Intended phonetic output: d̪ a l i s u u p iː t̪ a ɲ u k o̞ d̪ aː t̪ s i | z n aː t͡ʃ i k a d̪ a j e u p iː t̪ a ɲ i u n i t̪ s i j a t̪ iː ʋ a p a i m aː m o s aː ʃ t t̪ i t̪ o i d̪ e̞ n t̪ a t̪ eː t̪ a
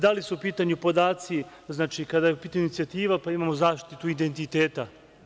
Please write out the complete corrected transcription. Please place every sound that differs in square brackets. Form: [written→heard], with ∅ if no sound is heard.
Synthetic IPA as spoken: d̪ a l i s u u p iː t̪ a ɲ u [k→p] o̞ d̪ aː t̪ s i | z n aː t͡ʃ i k a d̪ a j e u p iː t̪ a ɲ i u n i t̪ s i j a t̪ iː ʋ a p a i m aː m o [s→z] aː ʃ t t̪ i t̪ [o→u] i d̪ e̞ n t̪ [a→i] t̪ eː t̪ a